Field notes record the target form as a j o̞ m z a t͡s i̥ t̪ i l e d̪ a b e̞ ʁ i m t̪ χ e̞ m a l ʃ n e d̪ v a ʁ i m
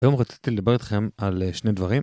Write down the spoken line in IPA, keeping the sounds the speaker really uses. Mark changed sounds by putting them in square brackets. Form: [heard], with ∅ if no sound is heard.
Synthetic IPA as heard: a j o̞ m [ʁ] a t͡s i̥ t̪ i l e d̪ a b e̞ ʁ i [∅] t̪ χ e̞ m a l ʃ n e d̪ v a ʁ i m